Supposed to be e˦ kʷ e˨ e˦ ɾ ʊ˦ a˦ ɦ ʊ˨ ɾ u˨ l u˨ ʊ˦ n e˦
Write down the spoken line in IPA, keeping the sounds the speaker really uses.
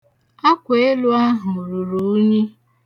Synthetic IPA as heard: a˦ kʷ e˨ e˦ l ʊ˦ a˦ ɦ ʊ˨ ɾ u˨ ɾ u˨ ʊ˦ ɲ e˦